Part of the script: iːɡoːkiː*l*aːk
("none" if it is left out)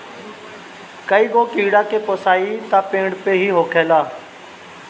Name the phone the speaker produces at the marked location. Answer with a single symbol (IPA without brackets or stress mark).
ɽ